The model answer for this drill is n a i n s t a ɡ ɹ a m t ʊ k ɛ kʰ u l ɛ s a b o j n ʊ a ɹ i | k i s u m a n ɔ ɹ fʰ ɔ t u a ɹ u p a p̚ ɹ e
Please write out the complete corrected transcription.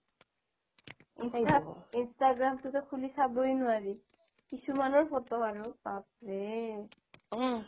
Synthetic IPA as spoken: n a i n s t a ɡ ɹ a m t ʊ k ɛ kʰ u l i s a b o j n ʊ a ɹ i | k i s u m a n ɔ ɹ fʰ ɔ t ɔ a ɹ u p a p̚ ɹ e

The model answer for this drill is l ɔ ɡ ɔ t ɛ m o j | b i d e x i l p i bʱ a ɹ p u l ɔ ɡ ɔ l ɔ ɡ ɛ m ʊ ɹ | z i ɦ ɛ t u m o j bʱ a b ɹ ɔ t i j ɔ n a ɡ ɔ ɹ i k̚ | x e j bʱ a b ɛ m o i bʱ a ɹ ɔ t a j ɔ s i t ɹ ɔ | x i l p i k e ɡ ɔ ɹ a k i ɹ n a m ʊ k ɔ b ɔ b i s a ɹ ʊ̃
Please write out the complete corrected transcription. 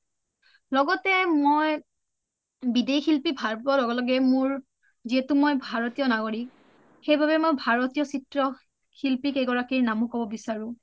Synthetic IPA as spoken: l ɔ ɡ ɔ t ɛ m o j | b i d e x i l p i bʱ a ɹ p ɔ l ɔ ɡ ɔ l ɔ ɡ ɛ m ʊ ɹ | z i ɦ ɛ t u m o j bʱ a ɹ ɔ t i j ɔ n a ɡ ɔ ɹ i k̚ | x e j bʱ a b ɛ m o j bʱ a ɹ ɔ t i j ɔ s i t ɹ ɔ | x i l p i k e ɡ ɔ ɹ a k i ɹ n a m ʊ k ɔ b ɔ b i s a ɹ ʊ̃

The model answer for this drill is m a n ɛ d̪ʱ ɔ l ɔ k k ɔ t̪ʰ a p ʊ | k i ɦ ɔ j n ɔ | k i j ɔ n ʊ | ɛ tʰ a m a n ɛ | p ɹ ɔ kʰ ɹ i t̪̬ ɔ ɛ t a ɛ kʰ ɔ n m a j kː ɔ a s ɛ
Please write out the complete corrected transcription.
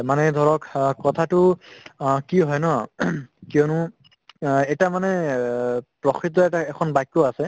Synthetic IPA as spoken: m a n ɛ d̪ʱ ɔ ɹ ɔ k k ɔ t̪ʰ a t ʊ | k i ɦ ɔ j n ɔ | k i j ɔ n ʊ | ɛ t a m a n ɛ | p ɹ ɔ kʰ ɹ i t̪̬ ɔ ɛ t a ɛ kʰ ɔ n b a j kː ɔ a s ɛ

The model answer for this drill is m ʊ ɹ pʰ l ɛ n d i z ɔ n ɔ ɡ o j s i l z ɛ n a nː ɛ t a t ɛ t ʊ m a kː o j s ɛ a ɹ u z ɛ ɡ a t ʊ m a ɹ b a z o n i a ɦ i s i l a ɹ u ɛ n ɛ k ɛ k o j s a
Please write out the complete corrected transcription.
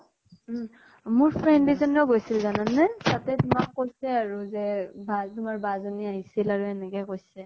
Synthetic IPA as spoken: m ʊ ɹ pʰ ɹ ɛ n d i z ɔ n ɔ ɡ o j s i l z a n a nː ɛ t a t ɛ t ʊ m a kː o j s ɛ a ɹ u z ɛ b a t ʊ m a ɹ b a z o n i a ɦ i s i l a ɹ u ɛ n ɛ k ɛ k o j s ɛ

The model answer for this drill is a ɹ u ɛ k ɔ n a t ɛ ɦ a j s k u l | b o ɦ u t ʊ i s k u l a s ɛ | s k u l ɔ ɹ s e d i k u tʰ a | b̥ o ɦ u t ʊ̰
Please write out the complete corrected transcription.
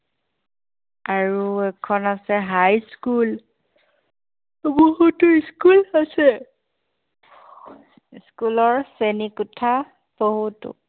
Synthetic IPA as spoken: a ɹ u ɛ kʰ ɔ n a s ɛ ɦ a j s k u l | b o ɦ u t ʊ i s k u l a s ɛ | s k u l ɔ ɹ s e n i k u tʰ a | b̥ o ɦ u t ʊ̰

